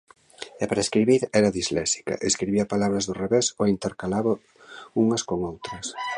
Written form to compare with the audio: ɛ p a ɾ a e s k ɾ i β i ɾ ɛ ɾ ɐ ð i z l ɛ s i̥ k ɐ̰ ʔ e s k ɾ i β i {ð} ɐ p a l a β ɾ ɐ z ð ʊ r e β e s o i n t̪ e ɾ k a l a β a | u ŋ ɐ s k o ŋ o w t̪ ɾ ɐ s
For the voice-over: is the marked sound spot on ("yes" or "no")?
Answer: no